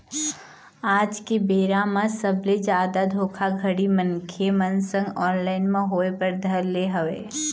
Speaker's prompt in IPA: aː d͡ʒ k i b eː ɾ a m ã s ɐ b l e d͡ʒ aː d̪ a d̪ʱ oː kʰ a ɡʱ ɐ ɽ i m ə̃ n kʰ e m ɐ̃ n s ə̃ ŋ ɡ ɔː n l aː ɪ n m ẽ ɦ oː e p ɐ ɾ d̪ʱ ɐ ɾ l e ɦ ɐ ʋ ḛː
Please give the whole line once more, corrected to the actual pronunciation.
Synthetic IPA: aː d͡ʒ k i b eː ɾ a m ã s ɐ b l e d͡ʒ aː d̪ a d̪ʱ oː kʰ a ɡʱ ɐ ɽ i m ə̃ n kʰ e m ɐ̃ n s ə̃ ŋ ɡ ɔː n l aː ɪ n m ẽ ɦ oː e p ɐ ɾ d̪ʱ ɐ ɾ l e ɦ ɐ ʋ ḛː